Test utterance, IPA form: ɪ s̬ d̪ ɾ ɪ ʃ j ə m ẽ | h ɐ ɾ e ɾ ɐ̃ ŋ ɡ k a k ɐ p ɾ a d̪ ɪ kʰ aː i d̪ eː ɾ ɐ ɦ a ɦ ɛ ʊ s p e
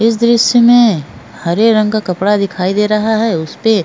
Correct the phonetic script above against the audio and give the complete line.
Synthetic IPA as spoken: ɪ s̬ d̪ ɾ ɪ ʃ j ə m ẽ | h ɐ ɾ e ɾ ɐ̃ ŋ ɡ k a k ɐ p ɽ a d̪ ɪ kʰ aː i d̪ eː ɾ ɐ ɦ a ɦ ɛ ʊ s p e